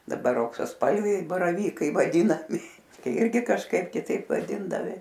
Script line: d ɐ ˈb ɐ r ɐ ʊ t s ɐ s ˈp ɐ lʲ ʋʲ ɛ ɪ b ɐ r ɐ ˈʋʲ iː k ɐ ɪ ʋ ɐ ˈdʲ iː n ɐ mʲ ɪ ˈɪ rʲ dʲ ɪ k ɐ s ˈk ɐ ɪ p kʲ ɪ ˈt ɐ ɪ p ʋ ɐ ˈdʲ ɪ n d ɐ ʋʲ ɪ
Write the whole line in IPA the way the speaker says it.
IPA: d ɐ ˈb ɐ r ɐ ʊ k s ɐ s ˈp ɐ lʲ ʋʲ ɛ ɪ b ɐ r ɐ ˈʋʲ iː k ɐ ɪ ʋ ɐ ˈdʲ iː n ɐ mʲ ɪ ˈɪ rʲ ɡʲ ɪ k ɐ ʃ ˈk ɐ ɪ p kʲ ɪ ˈt ɐ ɪ p ʋ ɐ ˈdʲ ɪ n d ɐ ʋʲ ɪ

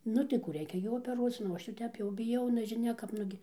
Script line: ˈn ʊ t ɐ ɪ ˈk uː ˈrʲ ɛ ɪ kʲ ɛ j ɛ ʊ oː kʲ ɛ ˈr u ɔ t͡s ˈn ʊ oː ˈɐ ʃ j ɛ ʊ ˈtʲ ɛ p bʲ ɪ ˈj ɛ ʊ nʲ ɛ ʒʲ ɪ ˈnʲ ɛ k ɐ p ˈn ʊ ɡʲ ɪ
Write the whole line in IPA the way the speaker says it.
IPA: ˈn ʊ t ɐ ɪ ˈk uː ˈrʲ ɛ ɪ kʲ ɛ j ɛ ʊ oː pʲ ɛ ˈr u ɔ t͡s ˈn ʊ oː ˈɐ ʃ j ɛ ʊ ˈtʲ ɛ p bʲ ɪ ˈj ɛ ʊ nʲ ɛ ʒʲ ɪ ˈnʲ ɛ k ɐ p ˈn ʊ ɡʲ ɪ

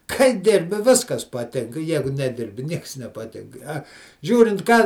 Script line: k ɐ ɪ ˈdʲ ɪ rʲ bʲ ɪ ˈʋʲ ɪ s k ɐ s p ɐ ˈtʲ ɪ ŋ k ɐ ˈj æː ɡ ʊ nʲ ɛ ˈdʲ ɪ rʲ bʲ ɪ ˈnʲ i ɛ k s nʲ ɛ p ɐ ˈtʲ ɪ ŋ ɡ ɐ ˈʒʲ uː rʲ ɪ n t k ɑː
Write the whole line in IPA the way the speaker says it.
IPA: k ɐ ɪ ˈdʲ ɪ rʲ bʲ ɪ ˈʋʲ ɪ s k ɐ s p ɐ ˈtʲ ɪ ŋ k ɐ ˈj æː ɡ ʊ nʲ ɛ ˈdʲ ɪ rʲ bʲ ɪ ˈnʲ i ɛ k s nʲ ɛ p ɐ ˈtʲ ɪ ŋ k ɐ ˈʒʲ uː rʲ ɪ n t k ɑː

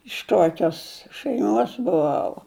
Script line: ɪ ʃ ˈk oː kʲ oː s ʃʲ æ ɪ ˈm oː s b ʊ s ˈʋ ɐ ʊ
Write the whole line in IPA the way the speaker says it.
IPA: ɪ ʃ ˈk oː kʲ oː s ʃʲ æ ɪ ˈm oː s b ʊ ˈʋ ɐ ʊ

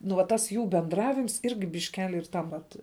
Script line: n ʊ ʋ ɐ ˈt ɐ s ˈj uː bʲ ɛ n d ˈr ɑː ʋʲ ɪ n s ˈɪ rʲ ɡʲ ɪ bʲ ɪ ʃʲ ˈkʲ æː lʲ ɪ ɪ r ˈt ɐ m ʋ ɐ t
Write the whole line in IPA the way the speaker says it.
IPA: n ʊ ʋ ɐ ˈt ɐ s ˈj uː bʲ ɛ n d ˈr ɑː ʋʲ ɪ m s ˈɪ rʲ ɡʲ ɪ bʲ ɪ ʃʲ ˈkʲ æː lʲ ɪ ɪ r ˈt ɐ m ʋ ɐ t

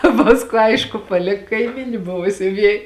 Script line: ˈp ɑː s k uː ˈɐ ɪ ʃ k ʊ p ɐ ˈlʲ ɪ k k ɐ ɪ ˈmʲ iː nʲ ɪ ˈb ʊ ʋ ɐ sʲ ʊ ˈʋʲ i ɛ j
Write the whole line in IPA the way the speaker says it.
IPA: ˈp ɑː s k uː ˈɐ ɪ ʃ k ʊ p ɐ ˈlʲ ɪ k k ɐ ɪ ˈmʲ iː nʲ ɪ ˈb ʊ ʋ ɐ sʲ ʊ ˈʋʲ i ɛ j

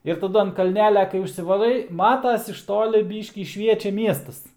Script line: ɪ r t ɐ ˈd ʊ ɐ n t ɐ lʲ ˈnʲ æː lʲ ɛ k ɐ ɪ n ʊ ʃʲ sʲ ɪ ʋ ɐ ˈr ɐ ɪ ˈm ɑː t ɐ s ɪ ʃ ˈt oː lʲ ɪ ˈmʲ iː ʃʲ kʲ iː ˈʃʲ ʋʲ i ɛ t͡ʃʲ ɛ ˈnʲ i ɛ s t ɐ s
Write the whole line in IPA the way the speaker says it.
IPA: ɪ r t ɐ ˈd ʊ ɐ n k ɐ lʲ ˈnʲ æː lʲ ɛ k ɐ ɪ ʊ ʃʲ sʲ ɪ ʋ ɐ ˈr ɐ ɪ ˈm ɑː t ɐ s ɪ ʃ ˈt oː lʲ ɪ ˈbʲ iː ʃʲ kʲ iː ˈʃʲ ʋʲ i ɛ t͡ʃʲ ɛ ˈmʲ i ɛ s t ɐ s

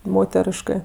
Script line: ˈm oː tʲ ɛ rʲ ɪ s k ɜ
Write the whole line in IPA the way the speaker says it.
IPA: ˈm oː tʲ ɛ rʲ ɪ ʃ k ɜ

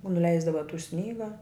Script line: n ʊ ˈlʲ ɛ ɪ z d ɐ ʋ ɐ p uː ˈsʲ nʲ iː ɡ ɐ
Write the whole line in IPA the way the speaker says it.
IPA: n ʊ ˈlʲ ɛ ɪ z d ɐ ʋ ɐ t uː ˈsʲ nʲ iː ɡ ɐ

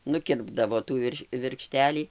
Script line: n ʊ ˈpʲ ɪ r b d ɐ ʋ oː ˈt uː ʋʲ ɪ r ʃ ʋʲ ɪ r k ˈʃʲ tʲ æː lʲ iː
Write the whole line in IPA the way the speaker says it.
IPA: n ʊ ˈkʲ ɪ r b d ɐ ʋ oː ˈt uː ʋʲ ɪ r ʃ ʋʲ ɪ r k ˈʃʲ tʲ æː lʲ iː

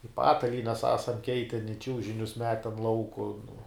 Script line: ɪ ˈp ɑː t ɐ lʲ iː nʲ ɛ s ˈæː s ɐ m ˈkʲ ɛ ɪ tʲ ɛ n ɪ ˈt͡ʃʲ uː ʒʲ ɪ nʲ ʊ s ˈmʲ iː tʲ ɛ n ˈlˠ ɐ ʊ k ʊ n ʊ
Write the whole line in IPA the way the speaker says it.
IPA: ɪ ˈp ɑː t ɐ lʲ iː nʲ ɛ s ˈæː s ɐ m ˈkʲ ɛ ɪ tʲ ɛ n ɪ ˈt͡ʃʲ uː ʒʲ ɪ nʲ ʊ s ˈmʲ æː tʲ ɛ n ˈlˠ ɐ ʊ k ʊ n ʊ

